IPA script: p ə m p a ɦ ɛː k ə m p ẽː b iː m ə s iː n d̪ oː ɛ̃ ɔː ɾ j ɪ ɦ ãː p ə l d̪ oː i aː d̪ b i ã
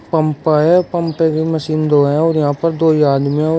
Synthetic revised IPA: p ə m p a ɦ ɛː p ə m p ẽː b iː m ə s iː n d̪ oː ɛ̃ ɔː ɾ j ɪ ɦ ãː p ə ɾ d̪ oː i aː d̪ m i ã